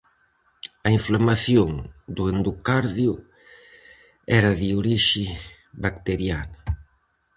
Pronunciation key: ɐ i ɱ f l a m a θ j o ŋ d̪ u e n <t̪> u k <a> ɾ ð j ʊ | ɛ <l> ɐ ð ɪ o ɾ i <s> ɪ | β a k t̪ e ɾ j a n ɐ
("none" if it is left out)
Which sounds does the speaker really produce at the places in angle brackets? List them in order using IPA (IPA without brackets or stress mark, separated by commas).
d̪, a, ɾ, ʃ